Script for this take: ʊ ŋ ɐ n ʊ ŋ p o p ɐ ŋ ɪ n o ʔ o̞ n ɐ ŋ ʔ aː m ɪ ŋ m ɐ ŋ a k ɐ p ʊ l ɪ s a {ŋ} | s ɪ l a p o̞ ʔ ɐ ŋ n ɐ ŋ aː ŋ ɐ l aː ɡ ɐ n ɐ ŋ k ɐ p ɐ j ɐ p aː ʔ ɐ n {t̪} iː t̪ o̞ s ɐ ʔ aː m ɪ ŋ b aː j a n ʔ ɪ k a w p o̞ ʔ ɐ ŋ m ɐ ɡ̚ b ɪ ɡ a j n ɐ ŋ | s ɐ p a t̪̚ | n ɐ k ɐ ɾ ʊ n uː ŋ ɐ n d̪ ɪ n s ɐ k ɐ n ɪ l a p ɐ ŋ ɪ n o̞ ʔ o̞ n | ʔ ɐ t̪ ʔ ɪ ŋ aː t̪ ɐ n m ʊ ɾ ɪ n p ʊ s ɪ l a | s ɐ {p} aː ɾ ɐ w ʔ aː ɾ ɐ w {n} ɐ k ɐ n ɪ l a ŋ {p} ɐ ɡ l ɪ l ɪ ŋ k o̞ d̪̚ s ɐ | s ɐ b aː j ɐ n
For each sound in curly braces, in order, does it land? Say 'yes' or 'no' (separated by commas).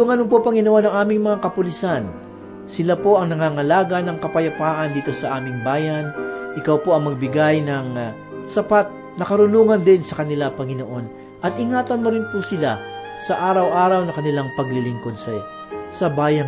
no, no, no, yes, yes